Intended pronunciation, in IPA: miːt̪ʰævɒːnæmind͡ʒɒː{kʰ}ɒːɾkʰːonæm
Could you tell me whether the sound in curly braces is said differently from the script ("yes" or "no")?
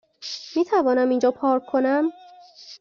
yes